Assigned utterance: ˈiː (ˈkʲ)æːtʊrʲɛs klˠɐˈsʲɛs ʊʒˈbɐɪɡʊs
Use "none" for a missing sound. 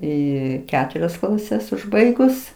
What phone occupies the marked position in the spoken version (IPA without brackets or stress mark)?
kʲ